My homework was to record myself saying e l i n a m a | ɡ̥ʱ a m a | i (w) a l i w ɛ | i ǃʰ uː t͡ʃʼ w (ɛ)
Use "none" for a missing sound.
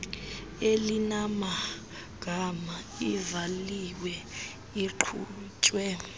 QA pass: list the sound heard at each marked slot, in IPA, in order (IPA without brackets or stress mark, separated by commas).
v, ɛ